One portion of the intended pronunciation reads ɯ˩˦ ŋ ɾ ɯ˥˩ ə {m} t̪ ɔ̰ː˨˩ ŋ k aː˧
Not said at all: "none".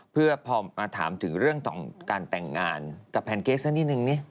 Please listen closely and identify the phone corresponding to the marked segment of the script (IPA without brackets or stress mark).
ŋ